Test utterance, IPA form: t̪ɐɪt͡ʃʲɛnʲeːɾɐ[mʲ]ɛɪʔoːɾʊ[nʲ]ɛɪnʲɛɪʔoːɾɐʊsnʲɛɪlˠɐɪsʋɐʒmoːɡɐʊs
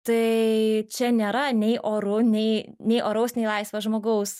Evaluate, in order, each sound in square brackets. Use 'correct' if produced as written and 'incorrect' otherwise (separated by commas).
incorrect, correct